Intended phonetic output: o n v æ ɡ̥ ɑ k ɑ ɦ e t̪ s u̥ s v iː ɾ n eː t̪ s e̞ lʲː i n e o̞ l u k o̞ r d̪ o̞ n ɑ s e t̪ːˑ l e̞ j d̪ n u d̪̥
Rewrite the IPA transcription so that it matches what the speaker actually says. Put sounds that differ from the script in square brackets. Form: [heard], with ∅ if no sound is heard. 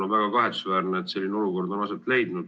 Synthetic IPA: o n v æ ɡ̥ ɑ k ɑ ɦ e t̪ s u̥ s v [æː] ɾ n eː t̪ s e̞ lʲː i n e o̞ l u k o̞ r d̪ o̞ n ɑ s e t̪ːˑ l e̞ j d̪ n u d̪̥